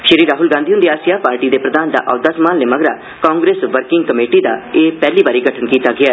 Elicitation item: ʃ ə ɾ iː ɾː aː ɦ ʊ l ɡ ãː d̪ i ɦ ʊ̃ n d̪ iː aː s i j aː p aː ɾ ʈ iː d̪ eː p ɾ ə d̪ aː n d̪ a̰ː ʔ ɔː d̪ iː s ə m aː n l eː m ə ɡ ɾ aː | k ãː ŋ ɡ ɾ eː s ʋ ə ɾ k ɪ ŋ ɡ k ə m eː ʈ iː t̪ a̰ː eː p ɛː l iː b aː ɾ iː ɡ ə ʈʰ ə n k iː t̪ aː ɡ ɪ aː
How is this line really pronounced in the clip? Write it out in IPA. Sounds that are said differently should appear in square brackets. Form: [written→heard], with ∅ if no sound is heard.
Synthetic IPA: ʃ ə ɾ iː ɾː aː ɦ ʊ l ɡ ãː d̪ i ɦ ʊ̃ n d̪ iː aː s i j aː p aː ɾ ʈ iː d̪ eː p ɾ ə d̪ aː n d̪ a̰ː ʔ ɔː d̪ [iː→aː] s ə m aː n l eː m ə ɡ ɾ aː | k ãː ŋ ɡ ɾ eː s ʋ ə ɾ k ɪ ŋ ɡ k ə m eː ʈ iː [t̪→d̪] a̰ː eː p ɛː l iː b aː ɾ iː ɡ ə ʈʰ ə n k iː t̪ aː ɡ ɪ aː